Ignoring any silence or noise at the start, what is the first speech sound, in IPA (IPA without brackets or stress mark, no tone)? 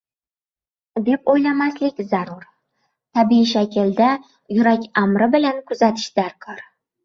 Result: d̪